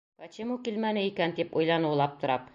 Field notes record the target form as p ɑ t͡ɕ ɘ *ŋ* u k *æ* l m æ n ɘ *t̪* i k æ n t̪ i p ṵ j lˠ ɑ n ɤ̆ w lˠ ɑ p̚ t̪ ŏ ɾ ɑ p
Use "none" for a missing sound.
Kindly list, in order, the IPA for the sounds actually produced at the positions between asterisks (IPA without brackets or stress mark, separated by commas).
m, i, none